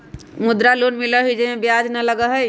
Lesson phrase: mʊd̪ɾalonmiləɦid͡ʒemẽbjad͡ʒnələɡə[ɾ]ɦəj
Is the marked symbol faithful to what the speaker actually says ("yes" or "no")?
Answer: no